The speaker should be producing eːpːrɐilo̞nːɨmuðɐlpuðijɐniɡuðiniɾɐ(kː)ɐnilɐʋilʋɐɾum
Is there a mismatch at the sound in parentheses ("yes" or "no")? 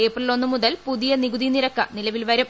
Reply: no